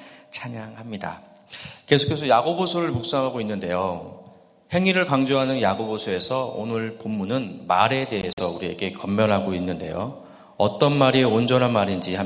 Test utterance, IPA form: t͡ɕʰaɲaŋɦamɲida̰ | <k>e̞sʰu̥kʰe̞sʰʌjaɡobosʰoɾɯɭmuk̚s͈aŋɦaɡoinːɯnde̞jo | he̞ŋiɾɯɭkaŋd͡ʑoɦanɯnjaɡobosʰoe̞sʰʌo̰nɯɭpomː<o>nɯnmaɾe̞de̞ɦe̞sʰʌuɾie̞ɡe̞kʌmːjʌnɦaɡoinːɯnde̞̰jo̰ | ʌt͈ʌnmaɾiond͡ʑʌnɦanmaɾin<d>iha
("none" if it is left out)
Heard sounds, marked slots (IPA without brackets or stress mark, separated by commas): k, u, d͡ʑ